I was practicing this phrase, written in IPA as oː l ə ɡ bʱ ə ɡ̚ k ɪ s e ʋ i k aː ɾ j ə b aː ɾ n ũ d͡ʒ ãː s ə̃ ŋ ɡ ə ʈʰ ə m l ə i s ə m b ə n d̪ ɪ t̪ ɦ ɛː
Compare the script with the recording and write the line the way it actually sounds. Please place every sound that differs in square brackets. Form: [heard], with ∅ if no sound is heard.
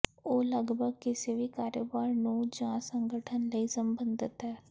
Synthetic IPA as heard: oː l ə ɡ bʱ ə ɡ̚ k ɪ s e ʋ i k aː ɾ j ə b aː ɾ n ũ d͡ʒ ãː s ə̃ ŋ ɡ ə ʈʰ ə [n] l ə i s ə m b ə n d̪ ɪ t̪ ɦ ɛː